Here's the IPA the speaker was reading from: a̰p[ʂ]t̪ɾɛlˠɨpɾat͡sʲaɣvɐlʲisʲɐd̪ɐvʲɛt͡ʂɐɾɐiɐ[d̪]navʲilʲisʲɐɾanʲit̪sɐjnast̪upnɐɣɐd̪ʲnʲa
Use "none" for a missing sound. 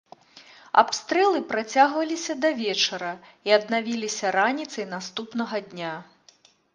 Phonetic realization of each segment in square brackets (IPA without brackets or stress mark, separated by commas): s, d̪